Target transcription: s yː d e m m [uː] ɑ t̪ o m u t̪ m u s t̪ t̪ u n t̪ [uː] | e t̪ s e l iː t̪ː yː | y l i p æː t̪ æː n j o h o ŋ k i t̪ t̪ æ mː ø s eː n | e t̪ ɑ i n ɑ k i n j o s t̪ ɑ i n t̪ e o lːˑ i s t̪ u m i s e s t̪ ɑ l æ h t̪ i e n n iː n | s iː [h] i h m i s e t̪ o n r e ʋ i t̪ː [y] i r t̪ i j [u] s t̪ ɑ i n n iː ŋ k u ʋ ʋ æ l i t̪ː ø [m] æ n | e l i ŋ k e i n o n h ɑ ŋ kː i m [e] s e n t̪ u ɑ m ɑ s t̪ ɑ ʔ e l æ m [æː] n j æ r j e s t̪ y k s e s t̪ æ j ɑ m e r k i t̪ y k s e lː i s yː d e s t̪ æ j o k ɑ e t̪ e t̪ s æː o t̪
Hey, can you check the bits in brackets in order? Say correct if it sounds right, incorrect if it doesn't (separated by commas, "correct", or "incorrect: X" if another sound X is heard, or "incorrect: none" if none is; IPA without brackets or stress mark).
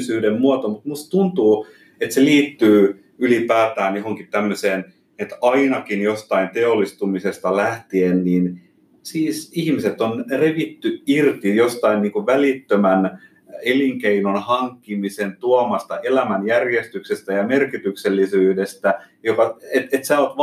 incorrect: u, correct, incorrect: s, correct, incorrect: o, correct, incorrect: i, incorrect: æ